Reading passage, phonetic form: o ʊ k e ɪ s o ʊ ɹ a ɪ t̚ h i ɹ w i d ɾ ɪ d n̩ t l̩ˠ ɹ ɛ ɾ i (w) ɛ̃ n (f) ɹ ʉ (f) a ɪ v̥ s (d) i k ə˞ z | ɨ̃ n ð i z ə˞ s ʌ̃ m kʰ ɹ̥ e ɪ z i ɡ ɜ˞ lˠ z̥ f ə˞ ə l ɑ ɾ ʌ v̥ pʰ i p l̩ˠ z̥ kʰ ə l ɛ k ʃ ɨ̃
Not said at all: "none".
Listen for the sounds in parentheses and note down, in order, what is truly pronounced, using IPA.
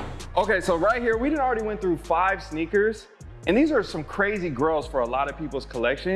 w, θ, f, n

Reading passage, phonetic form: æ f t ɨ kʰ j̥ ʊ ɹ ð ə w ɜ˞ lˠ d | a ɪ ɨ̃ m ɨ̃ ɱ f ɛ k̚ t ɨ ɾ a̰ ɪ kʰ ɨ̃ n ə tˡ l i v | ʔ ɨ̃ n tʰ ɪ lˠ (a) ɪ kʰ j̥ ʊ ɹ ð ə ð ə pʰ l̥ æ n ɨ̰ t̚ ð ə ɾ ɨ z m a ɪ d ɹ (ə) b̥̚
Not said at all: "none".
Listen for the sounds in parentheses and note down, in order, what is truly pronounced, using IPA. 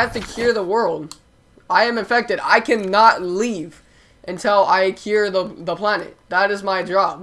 a, ɑ

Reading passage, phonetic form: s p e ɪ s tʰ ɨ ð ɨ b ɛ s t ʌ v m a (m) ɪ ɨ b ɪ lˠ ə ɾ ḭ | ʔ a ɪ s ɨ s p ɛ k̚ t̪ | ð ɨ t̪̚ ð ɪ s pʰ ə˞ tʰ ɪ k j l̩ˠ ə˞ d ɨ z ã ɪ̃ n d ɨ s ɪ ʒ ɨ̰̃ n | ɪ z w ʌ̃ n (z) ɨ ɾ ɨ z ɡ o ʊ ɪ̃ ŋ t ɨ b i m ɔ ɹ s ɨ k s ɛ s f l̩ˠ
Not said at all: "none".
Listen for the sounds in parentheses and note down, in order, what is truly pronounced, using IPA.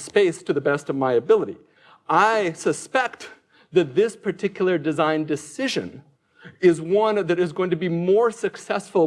none, ð

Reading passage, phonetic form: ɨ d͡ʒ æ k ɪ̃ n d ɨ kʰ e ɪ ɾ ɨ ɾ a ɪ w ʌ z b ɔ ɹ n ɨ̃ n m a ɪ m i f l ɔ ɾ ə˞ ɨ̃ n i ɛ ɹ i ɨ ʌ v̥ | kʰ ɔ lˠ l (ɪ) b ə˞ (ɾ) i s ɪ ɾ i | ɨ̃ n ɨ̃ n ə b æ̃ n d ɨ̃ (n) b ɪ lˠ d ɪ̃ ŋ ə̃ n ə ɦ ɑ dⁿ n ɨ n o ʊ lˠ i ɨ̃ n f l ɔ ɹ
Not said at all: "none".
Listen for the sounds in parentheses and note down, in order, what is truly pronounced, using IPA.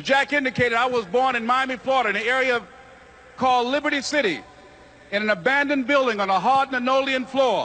ɪ, ɾ, n

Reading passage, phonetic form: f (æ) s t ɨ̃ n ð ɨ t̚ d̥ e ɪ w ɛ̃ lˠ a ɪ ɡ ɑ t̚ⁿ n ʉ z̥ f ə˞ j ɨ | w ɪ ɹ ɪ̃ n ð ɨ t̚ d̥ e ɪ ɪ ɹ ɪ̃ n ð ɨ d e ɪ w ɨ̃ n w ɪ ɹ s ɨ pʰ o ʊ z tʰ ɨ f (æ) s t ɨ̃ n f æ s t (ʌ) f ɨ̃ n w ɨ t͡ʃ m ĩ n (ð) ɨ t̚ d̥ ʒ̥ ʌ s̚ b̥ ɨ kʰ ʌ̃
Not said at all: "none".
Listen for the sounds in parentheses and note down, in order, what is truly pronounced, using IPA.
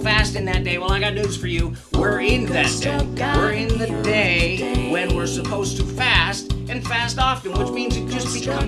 æ, æ, ɑ, z

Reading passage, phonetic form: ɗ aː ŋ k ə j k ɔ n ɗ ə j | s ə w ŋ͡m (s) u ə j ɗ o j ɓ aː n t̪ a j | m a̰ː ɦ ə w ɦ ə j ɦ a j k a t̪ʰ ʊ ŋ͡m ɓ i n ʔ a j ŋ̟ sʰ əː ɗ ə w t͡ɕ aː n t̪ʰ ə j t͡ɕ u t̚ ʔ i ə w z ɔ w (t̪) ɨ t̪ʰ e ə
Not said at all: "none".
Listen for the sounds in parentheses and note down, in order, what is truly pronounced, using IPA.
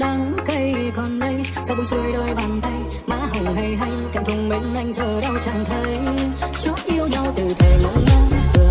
s, t̪

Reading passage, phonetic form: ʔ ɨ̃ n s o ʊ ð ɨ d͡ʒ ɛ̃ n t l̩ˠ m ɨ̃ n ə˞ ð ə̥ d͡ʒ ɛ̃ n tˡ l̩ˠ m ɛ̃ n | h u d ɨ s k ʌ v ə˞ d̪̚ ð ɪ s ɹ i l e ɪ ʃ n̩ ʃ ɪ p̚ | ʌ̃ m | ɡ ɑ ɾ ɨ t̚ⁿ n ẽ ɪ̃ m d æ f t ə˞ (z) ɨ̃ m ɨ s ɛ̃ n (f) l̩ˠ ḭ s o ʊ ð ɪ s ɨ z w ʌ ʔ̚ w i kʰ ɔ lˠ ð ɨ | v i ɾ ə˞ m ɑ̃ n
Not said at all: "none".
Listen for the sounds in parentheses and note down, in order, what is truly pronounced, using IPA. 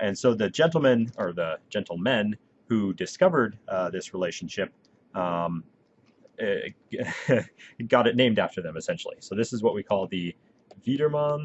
ð, ʃ

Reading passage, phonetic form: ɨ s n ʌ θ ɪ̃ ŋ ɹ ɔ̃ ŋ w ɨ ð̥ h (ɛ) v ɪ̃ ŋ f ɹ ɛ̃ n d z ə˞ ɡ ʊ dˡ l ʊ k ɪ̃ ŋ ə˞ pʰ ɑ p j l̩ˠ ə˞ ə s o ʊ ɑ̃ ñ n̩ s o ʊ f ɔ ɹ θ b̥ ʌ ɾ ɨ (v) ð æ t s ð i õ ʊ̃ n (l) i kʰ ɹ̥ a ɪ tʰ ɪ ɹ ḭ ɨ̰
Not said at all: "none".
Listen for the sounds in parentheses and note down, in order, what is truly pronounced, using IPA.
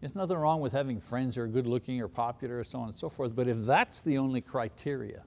æ, f, l

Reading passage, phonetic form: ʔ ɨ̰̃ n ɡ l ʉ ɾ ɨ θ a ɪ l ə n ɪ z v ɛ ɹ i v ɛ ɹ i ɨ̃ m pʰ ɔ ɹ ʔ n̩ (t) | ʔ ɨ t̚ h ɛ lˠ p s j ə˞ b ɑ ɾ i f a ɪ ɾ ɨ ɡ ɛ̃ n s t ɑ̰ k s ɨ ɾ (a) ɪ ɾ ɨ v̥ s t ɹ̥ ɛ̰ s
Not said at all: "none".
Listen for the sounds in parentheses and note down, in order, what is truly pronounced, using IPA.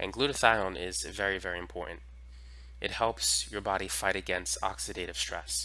t, e

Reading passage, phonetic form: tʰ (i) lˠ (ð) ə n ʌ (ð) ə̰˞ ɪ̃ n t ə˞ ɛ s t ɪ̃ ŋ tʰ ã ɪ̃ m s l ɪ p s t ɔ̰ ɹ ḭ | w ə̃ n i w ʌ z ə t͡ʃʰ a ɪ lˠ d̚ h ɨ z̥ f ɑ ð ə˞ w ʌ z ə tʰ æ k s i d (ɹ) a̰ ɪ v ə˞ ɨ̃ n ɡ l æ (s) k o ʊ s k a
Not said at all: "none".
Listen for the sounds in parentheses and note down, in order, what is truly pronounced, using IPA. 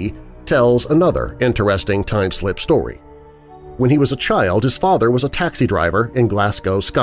ɛ, z, ð, ɹ, s

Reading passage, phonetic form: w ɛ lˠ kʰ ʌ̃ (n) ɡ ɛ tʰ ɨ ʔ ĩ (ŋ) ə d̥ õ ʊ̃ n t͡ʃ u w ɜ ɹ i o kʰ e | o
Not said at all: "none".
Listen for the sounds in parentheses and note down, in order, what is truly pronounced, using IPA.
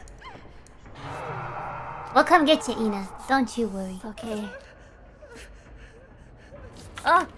m, n

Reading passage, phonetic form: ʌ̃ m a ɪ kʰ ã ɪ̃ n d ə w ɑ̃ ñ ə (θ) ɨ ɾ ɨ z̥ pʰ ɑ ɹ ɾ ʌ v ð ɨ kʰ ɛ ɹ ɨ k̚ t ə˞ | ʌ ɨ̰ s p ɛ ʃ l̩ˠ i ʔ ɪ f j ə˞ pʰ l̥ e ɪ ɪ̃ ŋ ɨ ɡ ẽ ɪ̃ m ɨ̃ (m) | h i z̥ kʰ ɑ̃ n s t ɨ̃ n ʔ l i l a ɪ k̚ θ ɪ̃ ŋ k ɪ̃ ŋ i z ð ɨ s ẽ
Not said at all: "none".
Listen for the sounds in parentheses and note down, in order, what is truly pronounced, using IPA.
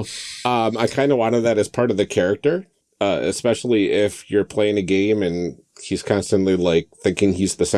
ð, n

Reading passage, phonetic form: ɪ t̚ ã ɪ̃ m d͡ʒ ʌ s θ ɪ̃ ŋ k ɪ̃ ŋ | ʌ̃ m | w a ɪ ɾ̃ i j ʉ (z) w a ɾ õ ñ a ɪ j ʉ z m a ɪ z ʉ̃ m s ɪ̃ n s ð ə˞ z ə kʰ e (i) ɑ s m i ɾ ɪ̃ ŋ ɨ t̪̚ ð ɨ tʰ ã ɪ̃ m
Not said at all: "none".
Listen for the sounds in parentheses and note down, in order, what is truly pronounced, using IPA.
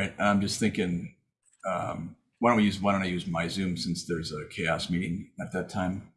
z, ɪ

